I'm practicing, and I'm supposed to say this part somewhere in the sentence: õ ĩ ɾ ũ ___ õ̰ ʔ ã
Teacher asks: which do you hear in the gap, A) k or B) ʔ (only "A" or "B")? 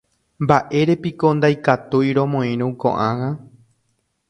A